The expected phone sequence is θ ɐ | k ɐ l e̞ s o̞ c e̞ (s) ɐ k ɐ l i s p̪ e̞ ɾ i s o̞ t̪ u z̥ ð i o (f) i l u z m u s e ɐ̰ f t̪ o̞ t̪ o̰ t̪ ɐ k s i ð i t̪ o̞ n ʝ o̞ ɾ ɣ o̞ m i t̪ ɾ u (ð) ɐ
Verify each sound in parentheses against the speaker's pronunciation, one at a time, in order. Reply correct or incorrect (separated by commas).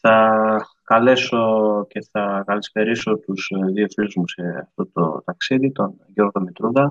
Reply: incorrect, correct, correct